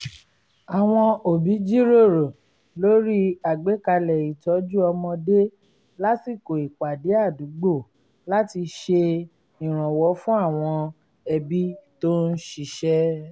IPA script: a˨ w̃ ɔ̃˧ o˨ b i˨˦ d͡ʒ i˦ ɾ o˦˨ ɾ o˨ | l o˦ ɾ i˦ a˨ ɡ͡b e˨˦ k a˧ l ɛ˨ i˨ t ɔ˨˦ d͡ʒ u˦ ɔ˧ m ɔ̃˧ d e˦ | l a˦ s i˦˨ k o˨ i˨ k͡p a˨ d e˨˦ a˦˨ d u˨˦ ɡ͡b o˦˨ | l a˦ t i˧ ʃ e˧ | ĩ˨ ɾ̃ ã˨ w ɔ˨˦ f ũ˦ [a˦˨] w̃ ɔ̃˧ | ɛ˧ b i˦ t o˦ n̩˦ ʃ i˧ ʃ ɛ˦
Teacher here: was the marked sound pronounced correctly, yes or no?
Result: yes